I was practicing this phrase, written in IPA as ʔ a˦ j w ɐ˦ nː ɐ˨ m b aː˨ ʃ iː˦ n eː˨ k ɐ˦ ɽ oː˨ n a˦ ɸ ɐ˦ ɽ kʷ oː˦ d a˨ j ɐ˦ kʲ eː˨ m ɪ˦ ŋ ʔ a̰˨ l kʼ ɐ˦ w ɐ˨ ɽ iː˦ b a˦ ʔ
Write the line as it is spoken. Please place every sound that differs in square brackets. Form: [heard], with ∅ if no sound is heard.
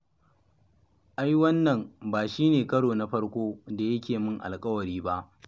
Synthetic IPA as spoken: ʔ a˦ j w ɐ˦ nː ɐ˨ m b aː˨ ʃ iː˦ n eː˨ k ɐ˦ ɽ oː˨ n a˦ ɸ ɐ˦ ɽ kʷ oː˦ d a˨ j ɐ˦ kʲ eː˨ m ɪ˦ ŋ ʔ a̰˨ l kʼ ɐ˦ w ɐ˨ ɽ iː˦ b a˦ ʔ